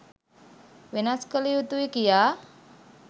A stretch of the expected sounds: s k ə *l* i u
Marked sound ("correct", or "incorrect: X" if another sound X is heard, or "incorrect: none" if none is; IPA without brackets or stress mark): correct